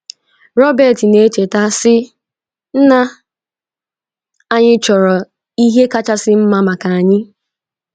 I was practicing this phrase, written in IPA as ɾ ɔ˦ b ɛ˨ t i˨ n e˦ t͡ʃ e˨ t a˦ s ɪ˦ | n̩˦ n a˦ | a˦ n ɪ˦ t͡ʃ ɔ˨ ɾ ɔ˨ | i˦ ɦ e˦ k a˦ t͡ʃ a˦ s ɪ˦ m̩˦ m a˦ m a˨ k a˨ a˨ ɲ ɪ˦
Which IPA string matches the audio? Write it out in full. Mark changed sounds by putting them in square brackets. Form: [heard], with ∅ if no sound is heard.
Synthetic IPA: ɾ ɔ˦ b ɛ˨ t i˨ n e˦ t͡ʃ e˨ t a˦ s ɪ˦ | n̩˦ n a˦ | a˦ [ɲ] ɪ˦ t͡ʃ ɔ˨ ɾ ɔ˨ | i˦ ɦ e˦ k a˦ t͡ʃ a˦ s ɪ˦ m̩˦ m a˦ m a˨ k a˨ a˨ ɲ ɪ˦